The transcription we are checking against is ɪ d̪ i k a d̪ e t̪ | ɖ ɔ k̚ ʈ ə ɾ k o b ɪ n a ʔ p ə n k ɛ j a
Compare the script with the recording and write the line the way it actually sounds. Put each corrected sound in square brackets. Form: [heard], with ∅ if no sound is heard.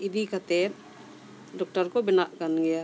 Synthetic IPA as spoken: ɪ d̪ i k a [t̪] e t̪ | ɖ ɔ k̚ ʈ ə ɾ k o b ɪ n a ʔ [k] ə n [ɡ] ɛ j a